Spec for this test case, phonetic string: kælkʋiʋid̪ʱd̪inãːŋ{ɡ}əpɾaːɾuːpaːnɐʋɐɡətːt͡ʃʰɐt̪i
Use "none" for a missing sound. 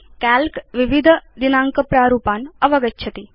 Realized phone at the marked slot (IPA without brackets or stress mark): k